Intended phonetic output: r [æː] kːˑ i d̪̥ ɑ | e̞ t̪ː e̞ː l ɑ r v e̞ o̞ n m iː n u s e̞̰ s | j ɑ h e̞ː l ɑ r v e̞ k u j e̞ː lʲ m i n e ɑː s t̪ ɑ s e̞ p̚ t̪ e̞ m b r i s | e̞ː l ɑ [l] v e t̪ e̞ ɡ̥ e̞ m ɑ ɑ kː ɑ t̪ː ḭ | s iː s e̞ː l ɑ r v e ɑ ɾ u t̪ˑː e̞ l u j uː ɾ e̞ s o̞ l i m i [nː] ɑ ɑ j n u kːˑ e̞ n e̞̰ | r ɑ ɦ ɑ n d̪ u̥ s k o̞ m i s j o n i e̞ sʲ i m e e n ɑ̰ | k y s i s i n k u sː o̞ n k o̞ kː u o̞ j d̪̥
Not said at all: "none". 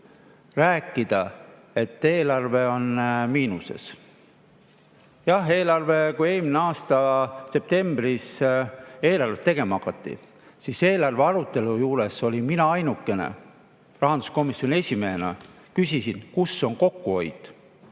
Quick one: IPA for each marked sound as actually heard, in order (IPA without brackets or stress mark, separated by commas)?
æː, r, n